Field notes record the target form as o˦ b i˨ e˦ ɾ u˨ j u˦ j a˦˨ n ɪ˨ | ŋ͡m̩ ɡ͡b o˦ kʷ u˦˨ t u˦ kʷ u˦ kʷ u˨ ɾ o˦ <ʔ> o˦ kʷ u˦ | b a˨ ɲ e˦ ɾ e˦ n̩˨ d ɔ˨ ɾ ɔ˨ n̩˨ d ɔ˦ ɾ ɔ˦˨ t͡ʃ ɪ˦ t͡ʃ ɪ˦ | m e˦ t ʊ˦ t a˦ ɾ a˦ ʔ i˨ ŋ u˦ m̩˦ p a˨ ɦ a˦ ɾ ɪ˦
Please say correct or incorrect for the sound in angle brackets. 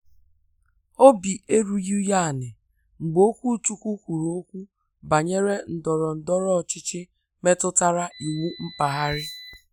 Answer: incorrect: none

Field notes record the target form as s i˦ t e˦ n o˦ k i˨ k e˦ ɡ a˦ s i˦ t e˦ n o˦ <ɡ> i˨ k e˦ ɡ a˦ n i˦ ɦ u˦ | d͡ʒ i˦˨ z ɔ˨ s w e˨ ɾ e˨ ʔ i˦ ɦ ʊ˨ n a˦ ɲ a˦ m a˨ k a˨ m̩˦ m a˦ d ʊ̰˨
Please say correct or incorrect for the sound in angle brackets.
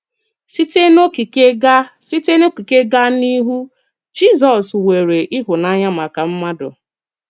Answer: incorrect: k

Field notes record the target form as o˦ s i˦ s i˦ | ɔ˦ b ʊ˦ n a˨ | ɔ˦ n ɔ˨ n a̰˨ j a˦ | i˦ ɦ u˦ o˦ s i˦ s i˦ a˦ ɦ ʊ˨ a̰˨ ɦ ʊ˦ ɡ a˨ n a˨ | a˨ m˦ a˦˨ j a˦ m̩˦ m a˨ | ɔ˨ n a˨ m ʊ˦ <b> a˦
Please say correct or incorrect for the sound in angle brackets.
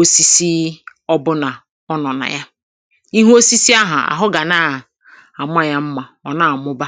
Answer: correct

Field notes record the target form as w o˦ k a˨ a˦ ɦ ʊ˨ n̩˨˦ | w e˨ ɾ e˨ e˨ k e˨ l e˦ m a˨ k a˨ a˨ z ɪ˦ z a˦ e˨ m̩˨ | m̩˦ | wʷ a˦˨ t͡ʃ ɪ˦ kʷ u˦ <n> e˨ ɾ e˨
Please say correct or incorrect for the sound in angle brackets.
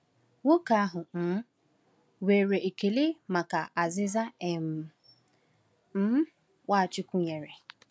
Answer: incorrect: ɲ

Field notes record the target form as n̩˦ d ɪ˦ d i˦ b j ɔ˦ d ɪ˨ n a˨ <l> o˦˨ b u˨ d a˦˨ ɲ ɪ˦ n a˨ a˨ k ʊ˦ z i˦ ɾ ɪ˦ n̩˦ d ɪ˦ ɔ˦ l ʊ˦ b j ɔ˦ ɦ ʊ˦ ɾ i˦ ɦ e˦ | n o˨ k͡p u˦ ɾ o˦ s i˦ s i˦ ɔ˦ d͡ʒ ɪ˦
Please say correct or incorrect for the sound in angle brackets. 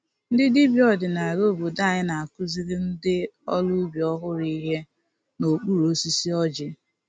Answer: incorrect: ɾ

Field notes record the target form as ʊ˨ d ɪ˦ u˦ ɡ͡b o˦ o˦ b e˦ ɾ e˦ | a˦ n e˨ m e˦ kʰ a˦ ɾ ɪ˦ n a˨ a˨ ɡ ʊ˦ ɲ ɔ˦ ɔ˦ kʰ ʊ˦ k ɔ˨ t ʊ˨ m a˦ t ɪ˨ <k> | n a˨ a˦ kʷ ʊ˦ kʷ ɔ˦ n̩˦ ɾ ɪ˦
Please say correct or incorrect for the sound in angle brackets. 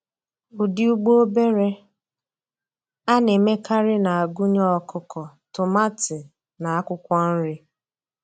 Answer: incorrect: none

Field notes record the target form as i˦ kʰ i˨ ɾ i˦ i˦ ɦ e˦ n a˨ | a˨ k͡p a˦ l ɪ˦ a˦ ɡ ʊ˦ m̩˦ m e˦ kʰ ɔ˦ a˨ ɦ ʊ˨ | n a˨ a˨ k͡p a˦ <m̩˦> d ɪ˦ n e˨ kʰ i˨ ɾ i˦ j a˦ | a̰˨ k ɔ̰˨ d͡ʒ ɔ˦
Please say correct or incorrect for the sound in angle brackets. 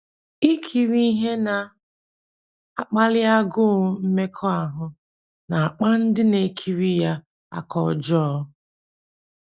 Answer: incorrect: n̩˦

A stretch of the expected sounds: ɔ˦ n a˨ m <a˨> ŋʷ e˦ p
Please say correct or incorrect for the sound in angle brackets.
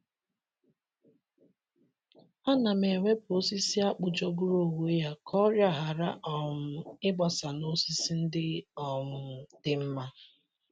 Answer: incorrect: e˨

